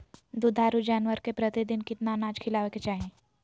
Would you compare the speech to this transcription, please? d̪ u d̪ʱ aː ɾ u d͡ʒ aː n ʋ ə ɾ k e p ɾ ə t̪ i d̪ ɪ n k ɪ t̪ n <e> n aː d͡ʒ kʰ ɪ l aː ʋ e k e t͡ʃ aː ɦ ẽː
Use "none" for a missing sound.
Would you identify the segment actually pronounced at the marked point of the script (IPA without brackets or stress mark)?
a